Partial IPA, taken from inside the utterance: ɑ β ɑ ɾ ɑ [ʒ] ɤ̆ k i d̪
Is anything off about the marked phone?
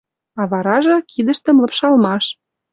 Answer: no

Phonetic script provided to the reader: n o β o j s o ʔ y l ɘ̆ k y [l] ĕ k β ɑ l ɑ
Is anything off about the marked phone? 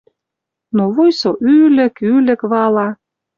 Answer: no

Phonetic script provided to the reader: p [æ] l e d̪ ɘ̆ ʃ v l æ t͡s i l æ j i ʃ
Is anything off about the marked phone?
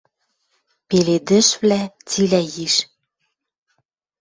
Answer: yes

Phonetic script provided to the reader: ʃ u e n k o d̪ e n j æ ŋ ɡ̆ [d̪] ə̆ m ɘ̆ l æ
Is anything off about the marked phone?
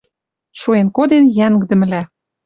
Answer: no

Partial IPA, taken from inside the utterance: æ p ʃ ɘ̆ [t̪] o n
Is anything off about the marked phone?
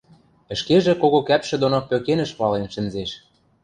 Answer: yes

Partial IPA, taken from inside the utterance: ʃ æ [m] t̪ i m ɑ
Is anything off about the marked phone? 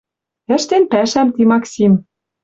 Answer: no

